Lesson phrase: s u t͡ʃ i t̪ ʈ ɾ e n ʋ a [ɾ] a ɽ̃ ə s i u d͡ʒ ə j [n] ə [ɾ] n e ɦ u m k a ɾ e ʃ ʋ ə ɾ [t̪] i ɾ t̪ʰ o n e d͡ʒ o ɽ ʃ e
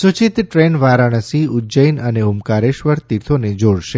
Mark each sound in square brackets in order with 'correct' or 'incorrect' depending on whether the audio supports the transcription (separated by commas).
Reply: correct, correct, incorrect, correct